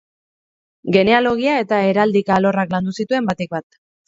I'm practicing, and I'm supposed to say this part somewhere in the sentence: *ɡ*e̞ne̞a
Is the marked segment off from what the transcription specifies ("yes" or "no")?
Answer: no